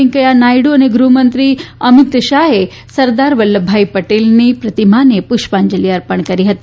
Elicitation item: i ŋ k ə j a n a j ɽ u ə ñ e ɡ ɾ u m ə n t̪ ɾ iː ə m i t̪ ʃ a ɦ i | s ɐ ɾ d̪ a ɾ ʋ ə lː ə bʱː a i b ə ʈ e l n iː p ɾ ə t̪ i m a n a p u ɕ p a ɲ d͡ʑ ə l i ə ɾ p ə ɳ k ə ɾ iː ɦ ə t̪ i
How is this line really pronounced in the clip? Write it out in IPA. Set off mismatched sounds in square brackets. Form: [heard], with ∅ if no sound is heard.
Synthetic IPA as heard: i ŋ k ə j a n a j ɽ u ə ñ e ɡ ɾ u m ə n t̪ ɾ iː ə m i t̪ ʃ a ɦ [e] | s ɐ ɾ d̪ a ɾ ʋ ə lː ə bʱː a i [p] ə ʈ e l n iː p ɾ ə t̪ i m a n [e] p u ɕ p a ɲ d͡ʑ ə l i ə ɾ p ə ɳ k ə ɾ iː ɦ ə t̪ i

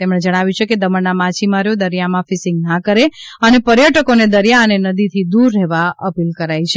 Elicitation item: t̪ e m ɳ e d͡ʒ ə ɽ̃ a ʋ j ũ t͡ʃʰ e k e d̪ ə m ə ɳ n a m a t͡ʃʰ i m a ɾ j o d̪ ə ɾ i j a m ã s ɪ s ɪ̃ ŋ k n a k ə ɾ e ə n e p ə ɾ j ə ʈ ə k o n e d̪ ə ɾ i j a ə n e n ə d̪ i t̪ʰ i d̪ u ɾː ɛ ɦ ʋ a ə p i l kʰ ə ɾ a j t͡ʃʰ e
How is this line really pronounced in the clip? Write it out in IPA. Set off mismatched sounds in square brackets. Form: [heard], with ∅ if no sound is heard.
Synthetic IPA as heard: t̪ e m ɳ e d͡ʒ ə ɽ̃ a ʋ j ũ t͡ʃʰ e k e d̪ ə m ə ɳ n a m a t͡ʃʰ i m a ɾ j o d̪ ə ɾ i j a m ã [f] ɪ s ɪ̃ ŋ [ɡ] n a k ə ɾ e ə n e p ə ɾ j ə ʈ ə k o n e d̪ ə ɾ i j a ə n e n ə d̪ i t̪ʰ i d̪ u ɾː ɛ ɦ ʋ a ə p i l [k] ə ɾ a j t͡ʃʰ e

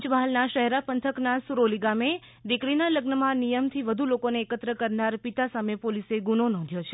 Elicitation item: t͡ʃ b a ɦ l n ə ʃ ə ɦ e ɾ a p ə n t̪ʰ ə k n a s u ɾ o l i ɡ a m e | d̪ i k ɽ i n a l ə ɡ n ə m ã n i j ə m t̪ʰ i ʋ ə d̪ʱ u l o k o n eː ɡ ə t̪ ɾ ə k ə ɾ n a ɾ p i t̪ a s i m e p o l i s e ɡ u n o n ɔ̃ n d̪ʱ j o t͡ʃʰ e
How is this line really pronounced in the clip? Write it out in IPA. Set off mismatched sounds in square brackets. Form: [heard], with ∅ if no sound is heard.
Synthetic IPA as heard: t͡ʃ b a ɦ l n [a] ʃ ə ɦ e ɾ a p ə n t̪ʰ ə k n a s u ɾ o l i ɡ a m e | d̪ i k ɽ i n a l ə ɡ n ə m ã n i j ə m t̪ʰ i ʋ ə d̪ʱ u l o k o n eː [k] ə t̪ ɾ ə k ə ɾ n a ɾ p i t̪ a s [a] m e p o l i s e ɡ u n o n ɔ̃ n d̪ʱ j o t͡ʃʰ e

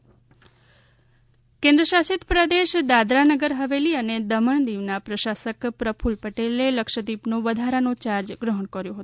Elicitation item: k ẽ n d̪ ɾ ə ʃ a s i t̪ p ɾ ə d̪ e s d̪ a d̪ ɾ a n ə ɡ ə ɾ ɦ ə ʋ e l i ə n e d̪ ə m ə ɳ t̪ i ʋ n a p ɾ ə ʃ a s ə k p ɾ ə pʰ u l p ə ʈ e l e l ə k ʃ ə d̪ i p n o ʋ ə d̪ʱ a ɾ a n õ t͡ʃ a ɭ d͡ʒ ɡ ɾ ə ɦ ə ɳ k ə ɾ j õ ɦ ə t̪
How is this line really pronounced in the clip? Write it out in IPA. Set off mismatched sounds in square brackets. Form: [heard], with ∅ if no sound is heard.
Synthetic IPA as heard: k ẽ n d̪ ɾ ə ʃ a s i t̪ p ɾ ə d̪ e [ʃ] d̪ a d̪ ɾ a n ə ɡ ə ɾ ɦ ə ʋ e l i ə n e d̪ ə m ə ɳ [d̪] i ʋ n a p ɾ ə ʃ a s ə k p ɾ ə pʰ u l p ə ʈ e l e l ə k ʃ ə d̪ i p n o ʋ ə d̪ʱ a ɾ a n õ t͡ʃ a [ɾ] d͡ʒ ɡ ɾ ə ɦ ə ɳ k ə ɾ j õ ɦ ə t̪

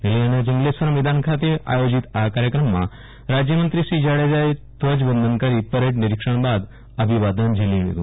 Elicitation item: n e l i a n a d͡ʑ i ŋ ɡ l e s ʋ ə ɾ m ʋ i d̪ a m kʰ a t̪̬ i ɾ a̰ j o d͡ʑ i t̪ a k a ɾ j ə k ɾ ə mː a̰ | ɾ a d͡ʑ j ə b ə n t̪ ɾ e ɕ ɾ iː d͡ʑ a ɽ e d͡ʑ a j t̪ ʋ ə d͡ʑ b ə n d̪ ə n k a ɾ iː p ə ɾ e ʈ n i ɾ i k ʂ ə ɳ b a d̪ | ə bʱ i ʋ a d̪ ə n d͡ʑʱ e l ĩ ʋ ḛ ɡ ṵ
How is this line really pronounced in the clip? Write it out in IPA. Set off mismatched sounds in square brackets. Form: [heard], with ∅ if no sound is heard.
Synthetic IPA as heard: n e l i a n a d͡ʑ i ŋ ɡ l e s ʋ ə ɾ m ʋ i d̪ a [n] kʰ a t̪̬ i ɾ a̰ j o d͡ʑ i t̪ a k a ɾ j ə k ɾ ə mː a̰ | ɾ a d͡ʑ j ə [m] ə n t̪ ɾ [i] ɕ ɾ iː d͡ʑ a ɽ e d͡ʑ a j t̪ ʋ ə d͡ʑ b ə n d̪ ə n k a ɾ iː p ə ɾ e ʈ n i ɾ i k ʂ ə ɳ b a d̪ | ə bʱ i ʋ a d̪ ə n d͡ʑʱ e l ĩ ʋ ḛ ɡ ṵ

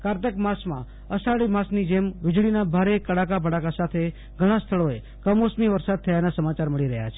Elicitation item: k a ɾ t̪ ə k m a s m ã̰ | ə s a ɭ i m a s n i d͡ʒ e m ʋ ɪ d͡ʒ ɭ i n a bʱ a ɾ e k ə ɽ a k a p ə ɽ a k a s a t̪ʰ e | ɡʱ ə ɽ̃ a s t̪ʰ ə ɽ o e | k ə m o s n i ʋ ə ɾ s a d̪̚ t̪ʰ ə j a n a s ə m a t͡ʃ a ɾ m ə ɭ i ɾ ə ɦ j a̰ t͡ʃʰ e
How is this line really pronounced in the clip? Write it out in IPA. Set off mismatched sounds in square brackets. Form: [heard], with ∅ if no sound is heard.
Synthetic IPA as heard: k a ɾ t̪ ə k m a s m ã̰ | ə s a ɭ i m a s n i d͡ʒ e m ʋ ɪ d͡ʒ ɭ i n a bʱ a ɾ e k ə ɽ a k a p ə ɽ a k a s a t̪ʰ e | ɡʱ ə ɽ̃ a s t̪ʰ ə [ɭ] o e | k ə m o s [m] i ʋ ə ɾ s a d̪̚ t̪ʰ ə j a n a s ə m a t͡ʃ a ɾ m ə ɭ i ɾ ə ɦ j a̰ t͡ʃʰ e

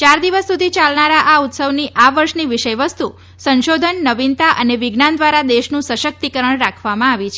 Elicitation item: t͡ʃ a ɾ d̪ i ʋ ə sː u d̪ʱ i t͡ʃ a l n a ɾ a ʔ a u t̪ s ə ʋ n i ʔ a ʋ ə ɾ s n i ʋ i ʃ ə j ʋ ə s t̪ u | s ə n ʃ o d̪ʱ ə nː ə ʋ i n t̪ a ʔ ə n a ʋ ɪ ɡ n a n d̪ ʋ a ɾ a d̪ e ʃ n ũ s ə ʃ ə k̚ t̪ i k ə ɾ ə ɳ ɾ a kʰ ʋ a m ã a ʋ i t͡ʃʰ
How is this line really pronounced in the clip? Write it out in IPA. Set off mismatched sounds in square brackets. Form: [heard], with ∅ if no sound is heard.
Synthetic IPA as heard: t͡ʃ a ɾ d̪ i ʋ ə sː u d̪ʱ i t͡ʃ a l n a ɾ a ʔ a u t̪ s ə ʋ n i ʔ a ʋ ə ɾ [ʃ] n i ʋ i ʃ ə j ʋ ə s t̪ u | s ə n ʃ o d̪ʱ ə nː ə ʋ i n t̪ a ʔ ə n [e] ʋ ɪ ɡ n a n d̪ ʋ a ɾ a d̪ e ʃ n ũ s ə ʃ ə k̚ t̪ i k ə ɾ ə ɳ ɾ a kʰ ʋ a m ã a ʋ i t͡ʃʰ

